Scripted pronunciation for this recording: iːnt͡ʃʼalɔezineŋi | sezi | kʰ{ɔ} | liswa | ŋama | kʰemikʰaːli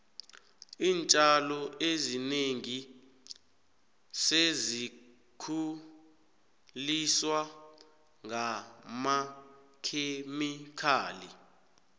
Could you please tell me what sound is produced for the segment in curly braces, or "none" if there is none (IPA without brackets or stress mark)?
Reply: u